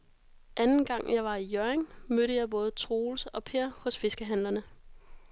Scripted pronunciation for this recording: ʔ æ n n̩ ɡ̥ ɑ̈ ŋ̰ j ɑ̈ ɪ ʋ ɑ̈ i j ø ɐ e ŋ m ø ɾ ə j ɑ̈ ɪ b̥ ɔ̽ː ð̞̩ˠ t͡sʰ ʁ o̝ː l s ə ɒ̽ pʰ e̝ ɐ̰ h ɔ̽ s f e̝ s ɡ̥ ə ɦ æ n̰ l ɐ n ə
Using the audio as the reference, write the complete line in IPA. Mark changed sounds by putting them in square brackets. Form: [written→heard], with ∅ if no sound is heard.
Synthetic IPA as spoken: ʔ æ n n̩ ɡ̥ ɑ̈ ŋ̰ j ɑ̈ ɪ ʋ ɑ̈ i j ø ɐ e ŋ m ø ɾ ə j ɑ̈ ɪ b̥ ɔ̽ː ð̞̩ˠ t͡sʰ ʁ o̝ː l s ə ɒ̽ pʰ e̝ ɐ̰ h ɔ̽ s f e̝ s ɡ̥ ə ɦ æ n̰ l ɐ n ə